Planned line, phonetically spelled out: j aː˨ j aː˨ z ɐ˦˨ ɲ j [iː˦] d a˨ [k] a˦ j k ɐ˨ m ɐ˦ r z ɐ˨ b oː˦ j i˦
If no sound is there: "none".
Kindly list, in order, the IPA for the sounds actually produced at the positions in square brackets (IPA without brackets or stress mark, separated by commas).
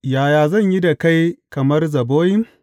i˦, k